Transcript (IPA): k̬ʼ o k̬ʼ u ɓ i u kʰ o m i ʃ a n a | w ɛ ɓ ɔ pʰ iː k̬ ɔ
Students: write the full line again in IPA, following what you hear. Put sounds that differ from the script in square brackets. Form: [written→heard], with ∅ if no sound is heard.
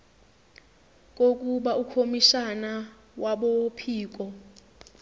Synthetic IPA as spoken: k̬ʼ o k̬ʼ u ɓ [i→a] u kʰ o m i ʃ a n a | w [ɛ→a] ɓ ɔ pʰ iː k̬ ɔ